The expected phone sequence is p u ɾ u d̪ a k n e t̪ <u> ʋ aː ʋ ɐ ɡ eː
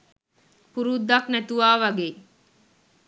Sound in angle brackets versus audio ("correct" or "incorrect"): correct